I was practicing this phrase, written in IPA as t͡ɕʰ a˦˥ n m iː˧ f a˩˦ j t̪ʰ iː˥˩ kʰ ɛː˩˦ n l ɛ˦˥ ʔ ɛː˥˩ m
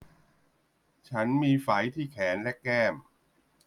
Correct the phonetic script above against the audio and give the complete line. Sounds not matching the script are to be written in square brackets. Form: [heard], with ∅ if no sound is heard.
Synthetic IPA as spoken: t͡ɕʰ a˦˥ n m iː˧ f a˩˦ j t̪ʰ iː˥˩ kʰ ɛː˩˦ n l ɛ˦˥ [k] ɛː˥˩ m